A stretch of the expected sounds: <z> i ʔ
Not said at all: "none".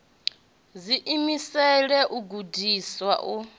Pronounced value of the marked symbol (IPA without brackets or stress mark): z